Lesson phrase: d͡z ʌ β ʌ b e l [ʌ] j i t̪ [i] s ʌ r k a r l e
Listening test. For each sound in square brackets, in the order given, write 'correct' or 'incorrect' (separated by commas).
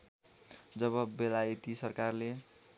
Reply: incorrect, correct